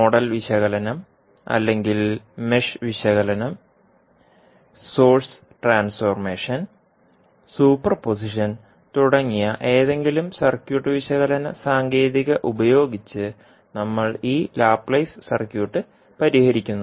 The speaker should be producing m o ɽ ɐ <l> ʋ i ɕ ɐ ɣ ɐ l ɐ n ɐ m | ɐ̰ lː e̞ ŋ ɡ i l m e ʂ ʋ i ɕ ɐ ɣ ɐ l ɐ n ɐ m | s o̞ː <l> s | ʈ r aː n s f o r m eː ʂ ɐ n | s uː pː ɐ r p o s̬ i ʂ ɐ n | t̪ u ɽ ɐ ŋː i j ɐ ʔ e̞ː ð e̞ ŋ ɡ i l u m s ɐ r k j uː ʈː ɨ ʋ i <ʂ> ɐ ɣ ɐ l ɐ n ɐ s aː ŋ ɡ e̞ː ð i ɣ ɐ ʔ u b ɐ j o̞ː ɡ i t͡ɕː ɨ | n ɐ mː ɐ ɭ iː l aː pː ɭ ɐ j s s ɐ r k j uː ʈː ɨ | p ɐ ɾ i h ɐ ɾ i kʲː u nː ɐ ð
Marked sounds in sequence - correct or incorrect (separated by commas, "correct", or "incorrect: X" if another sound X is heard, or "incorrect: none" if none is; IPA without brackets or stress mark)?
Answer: correct, incorrect: r, incorrect: ɕ